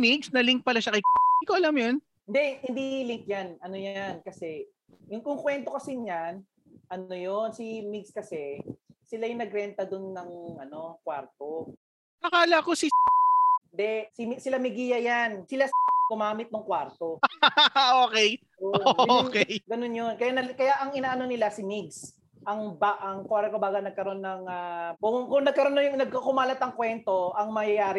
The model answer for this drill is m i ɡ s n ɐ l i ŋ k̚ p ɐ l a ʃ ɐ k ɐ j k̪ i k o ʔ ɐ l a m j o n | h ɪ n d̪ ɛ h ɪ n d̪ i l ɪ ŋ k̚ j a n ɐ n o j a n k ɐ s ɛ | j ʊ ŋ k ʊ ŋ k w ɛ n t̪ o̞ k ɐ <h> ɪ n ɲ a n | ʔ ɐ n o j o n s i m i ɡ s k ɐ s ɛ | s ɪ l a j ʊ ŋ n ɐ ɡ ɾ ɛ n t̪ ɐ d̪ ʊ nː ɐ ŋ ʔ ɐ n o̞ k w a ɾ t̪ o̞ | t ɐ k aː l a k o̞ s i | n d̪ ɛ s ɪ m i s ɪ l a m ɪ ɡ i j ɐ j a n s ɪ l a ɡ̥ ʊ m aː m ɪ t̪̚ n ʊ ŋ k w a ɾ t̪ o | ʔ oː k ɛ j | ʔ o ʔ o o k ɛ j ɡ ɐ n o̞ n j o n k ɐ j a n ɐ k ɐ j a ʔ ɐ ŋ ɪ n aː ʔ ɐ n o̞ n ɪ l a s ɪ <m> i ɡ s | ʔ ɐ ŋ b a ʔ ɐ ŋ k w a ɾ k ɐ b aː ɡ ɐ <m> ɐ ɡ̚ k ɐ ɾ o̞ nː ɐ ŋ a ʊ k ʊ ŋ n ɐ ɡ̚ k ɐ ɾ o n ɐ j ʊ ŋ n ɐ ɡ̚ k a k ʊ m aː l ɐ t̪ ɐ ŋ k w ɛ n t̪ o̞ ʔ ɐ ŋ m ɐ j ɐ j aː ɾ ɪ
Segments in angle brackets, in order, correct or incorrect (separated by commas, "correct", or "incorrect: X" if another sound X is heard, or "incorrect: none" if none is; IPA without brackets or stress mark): incorrect: s, correct, incorrect: n